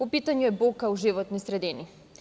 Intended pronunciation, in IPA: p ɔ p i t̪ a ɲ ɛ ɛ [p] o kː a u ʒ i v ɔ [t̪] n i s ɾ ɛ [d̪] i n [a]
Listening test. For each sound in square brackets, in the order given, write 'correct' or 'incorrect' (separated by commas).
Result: incorrect, correct, correct, incorrect